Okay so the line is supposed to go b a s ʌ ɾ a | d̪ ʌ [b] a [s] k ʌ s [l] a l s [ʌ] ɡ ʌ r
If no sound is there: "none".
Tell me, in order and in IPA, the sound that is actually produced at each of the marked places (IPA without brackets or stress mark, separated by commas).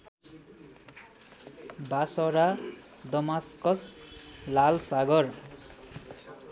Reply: m, s, l, a